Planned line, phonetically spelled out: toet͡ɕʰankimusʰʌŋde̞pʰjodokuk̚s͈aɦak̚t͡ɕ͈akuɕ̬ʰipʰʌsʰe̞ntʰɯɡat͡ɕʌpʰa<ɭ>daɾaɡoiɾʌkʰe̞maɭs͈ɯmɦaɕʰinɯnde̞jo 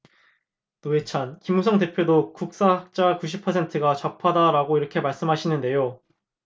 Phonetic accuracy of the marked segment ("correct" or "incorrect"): incorrect